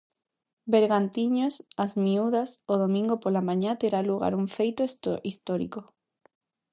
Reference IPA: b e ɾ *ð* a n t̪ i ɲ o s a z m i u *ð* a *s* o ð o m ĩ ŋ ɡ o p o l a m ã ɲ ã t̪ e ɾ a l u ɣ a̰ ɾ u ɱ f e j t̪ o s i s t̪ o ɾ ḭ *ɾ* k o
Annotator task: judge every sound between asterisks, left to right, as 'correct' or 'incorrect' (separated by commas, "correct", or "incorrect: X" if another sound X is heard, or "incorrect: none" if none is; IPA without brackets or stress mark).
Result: incorrect: ɣ, correct, correct, incorrect: none